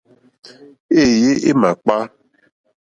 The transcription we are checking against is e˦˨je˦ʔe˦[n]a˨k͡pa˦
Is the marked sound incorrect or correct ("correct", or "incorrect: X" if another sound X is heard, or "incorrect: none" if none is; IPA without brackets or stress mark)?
incorrect: m